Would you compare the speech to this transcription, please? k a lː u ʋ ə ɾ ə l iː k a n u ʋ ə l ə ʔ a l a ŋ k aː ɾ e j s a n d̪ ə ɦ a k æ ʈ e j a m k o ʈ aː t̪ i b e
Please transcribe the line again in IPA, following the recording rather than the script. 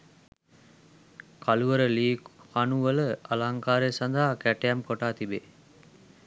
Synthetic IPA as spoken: k a l u ʋ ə ɾ ə l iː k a n u ʋ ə l ə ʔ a l a ŋ k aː ɾ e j s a n d̪ a ɦ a k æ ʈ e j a m k o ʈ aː t̪ i b e